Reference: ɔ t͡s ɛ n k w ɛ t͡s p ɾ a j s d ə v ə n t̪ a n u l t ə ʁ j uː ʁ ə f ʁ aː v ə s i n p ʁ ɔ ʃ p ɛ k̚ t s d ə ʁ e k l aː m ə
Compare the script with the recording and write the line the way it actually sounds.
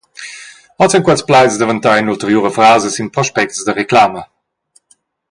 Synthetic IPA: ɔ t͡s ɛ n k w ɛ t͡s p l a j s d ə v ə n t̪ a n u l t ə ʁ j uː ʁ ə f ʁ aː z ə s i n p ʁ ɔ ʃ p ɛ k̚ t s d ə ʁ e k l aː m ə